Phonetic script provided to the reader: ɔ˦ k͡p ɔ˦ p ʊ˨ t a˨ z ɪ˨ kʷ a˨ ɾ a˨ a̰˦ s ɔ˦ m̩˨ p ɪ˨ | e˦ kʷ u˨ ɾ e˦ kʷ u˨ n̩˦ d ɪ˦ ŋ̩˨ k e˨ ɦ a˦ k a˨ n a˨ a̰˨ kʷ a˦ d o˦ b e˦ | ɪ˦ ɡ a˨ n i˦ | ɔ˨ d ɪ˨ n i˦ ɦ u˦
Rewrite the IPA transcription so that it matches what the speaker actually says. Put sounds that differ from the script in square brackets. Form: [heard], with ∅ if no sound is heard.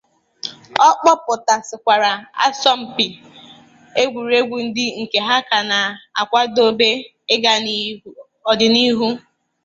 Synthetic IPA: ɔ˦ k͡p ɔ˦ p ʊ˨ t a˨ [s] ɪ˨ kʷ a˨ ɾ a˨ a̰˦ s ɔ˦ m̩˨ p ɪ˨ | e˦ [ɡʷ] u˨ ɾ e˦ [ɡʷ] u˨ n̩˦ d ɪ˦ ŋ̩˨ k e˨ ɦ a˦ k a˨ n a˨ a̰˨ kʷ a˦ d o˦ b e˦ | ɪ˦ ɡ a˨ n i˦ | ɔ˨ d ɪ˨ n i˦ ɦ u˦